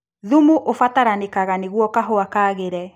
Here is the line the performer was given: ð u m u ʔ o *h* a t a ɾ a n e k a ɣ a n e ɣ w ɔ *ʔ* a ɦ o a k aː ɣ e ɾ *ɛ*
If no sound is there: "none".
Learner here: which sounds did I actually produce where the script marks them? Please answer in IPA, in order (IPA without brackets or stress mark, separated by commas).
f, k, ɛ